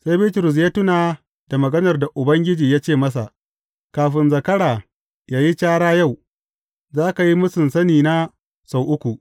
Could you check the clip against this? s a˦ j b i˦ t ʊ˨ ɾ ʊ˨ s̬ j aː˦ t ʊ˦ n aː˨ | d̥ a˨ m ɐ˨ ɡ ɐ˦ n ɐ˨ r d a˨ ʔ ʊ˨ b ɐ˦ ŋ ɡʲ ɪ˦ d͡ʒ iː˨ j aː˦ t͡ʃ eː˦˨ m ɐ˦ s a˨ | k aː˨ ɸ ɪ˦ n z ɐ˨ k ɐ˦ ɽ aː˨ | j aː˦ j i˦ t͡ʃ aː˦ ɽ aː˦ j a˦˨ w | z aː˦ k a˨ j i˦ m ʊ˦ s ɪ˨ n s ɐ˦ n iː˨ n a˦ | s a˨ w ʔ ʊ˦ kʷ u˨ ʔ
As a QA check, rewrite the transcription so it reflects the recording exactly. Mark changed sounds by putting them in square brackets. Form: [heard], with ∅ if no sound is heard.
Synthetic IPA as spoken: s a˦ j b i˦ t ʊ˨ ɾ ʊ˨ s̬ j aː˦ t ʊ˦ n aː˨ | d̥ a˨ m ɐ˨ ɡ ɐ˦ n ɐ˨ r d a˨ ʔ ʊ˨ b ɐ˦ ŋ ɡʲ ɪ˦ d͡ʒ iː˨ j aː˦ t͡ʃ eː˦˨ m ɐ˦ s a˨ | k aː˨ ɸ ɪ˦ n z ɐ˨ k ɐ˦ ɽ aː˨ | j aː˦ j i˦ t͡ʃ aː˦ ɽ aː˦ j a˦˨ w | z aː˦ k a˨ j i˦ m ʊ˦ s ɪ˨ n s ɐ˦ n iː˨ n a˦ | s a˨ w ʔ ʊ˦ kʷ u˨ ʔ